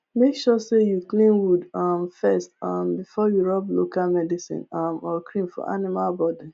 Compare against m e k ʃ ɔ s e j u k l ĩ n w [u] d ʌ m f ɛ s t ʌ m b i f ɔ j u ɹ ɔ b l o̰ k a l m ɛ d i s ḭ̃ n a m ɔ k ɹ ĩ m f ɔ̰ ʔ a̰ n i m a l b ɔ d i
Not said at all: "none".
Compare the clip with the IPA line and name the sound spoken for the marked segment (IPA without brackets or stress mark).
u